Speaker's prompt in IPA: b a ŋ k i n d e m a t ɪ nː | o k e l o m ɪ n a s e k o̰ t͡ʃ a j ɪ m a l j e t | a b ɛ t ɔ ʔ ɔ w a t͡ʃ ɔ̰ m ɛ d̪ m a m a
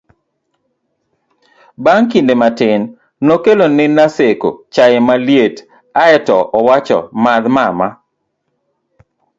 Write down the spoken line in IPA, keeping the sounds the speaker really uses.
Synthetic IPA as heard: b a ŋ k i n d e m a t ɪ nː | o k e l o n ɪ n a s e k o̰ t͡ʃ a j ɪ m a l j e t | a ɛ t ɔ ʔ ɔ w a t͡ʃ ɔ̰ m a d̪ m a m a